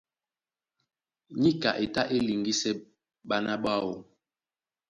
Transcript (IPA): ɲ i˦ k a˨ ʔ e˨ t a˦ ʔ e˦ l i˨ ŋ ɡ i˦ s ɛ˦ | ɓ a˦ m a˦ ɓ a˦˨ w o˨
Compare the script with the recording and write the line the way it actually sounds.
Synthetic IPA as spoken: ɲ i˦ k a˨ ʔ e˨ t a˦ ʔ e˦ l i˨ ŋ ɡ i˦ s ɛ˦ | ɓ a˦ n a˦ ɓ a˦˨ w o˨